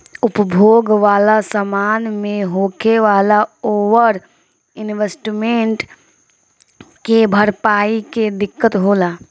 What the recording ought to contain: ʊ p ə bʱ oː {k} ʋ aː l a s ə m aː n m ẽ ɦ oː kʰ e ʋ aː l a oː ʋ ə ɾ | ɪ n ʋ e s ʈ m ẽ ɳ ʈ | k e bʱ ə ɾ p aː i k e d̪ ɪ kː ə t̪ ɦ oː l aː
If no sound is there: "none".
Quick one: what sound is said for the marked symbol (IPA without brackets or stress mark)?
ɡ